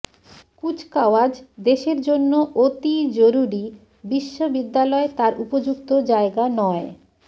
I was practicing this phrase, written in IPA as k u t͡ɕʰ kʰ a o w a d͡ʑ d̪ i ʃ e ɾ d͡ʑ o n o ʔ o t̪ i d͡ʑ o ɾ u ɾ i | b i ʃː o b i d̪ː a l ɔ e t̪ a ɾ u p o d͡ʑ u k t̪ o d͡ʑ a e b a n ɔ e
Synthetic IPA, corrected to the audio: k u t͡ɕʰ k a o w a d͡ʑ d̪ e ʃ e ɾ d͡ʑ o nː o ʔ o t̪ i d͡ʑ o ɾ u ɾ i | b i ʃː o b i d̪ː a l ɔ e t̪ a ɾ u p o d͡ʑ u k t̪ o d͡ʑ a e ɡ a n ɔ e

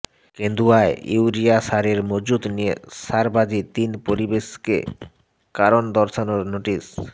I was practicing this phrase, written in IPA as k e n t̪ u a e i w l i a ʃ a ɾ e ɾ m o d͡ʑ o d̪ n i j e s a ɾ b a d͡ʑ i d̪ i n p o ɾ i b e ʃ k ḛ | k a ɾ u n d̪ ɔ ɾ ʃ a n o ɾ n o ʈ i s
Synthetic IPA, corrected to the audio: k e n d̪ u a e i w ɾ i a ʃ a ɾ e ɾ m o d͡ʑ u d̪ n i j e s a ɾ b a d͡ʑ i t̪ i n p o ɾ i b e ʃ k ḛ | k a ɾ o n d̪ ɔ ɾ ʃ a n o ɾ n o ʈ i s

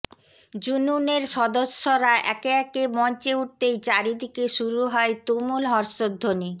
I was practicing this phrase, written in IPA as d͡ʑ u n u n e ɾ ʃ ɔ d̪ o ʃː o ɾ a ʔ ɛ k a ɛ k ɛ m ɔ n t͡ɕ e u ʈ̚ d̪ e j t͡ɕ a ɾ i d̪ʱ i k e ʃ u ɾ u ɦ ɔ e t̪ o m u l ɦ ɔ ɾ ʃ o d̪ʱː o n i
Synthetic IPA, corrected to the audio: d͡ʑ u n u n e ɾ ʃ ɔ d̪ o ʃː o ɾ a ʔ ɛ k e ɛ k e m ɔ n t͡ɕ e u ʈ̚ t̪ e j t͡ɕ a ɾ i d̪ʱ i k e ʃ u ɾ u ɦ ɔ e t̪ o m u l ɦ ɔ ɾ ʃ o d̪ʱː o n i

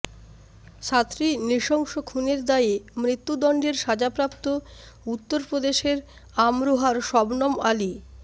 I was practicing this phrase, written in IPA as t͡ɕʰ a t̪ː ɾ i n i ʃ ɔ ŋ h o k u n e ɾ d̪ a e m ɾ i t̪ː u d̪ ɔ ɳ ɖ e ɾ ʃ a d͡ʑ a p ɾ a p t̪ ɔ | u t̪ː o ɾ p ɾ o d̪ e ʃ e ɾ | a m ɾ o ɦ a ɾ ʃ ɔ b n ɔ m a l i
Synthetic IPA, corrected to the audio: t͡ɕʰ a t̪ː ɾ i n i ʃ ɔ ŋ ʃ o kʰ u n e ɾ d̪ a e m ɾ i t̪ː u d̪ ɔ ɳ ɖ e ɾ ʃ a d͡ʑ a p ɾ a p t̪ o | u t̪ː o ɾ p ɾ o d̪ e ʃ e ɾ | a m ɾ o ɦ a ɾ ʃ ɔ b n ɔ m a l i

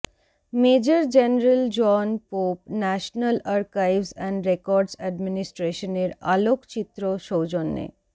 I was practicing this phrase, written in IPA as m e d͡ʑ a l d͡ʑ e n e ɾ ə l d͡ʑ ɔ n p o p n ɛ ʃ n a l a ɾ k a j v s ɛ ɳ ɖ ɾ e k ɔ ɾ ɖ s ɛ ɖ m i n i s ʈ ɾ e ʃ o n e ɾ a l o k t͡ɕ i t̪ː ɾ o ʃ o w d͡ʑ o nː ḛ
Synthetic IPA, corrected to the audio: m e d͡ʑ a ɾ d͡ʑ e n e ɾ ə l d͡ʑ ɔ n p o p n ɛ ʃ n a l a ɾ k a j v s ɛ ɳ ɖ ɾ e k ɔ ɾ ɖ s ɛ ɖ m i n i s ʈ ɾ e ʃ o n e ɾ a l o k t͡ɕ i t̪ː ɾ o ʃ o w d͡ʑ o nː ḛ

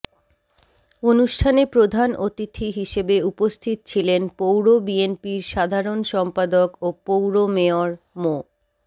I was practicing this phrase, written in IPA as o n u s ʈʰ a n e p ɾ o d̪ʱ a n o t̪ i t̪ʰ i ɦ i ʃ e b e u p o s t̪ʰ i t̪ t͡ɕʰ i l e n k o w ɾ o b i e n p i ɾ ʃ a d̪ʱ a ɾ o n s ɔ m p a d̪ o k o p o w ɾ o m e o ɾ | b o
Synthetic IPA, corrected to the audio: o n u ʃ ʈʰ a n e p ɾ o d̪ʱ a n o t̪ i t̪ʰ i ɦ i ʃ e b e u p o s t̪ʰ i t̪ t͡ɕʰ i l e n p o w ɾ o b i e n p i ɾ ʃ a d̪ʱ a ɾ o n ʃ ɔ m p a d̪ o k o p o w ɾ o m e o ɾ | m o

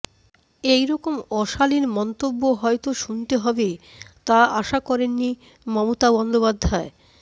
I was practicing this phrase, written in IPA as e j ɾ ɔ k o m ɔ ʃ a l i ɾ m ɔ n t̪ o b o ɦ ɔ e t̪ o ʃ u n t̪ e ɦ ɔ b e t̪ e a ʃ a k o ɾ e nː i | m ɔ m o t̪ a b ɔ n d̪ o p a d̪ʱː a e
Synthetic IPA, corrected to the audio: e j ɾ ɔ k o m ɔ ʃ a l i ɾ m ɔ n t̪ o bː o ɦ ɔ e t̪ o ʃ u n t̪ e ɦ ɔ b e t̪ a a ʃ a k ɔ ɾ e nː i | m ɔ m o t̪ a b ɔ n d̪ o p a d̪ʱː a e

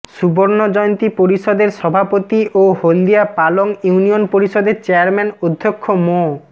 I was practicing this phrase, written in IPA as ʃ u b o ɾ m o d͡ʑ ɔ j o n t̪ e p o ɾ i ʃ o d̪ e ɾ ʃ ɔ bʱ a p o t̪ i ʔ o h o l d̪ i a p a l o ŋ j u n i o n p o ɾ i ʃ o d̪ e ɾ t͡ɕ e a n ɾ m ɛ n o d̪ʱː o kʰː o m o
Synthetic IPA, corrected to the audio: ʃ u b o ɾ n o d͡ʑ ɔ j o n t̪ i p o ɾ i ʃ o d̪ e ɾ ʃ ɔ bʱ a p o t̪ i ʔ o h o l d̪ i a p a l o ŋ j u n i o n p o ɾ i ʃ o d̪ e ɾ t͡ɕ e a ɾ m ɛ n o d̪ʱː o kʰː o m o

